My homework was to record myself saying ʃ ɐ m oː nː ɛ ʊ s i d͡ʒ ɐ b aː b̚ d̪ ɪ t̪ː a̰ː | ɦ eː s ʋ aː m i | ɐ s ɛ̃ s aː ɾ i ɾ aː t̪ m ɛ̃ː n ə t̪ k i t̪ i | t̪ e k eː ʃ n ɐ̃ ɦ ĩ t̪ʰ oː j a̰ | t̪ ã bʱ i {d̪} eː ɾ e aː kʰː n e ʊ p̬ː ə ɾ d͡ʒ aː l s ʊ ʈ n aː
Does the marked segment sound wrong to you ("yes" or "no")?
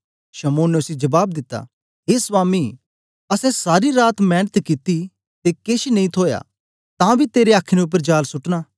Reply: yes